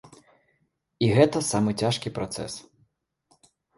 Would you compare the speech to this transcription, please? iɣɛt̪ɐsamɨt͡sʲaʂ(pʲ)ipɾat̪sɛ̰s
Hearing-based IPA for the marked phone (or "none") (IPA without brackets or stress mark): kʲ